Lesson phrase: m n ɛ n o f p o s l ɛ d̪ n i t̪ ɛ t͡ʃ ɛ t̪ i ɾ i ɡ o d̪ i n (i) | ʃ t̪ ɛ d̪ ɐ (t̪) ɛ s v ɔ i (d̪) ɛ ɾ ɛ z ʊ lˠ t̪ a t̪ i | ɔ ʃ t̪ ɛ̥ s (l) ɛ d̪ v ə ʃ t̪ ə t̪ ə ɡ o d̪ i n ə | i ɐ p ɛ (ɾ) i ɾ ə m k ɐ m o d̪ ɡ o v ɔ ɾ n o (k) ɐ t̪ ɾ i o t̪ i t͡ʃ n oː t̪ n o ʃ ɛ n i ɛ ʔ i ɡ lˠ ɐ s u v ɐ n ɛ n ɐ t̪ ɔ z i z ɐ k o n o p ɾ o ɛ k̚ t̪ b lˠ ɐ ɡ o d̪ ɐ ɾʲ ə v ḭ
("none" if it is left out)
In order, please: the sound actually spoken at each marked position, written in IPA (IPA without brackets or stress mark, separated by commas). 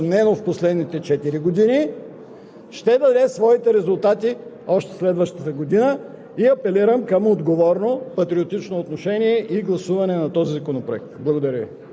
i, d̪, t̪, l, l, p